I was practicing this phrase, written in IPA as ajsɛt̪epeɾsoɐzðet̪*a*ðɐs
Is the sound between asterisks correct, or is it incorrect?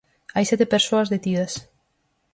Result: incorrect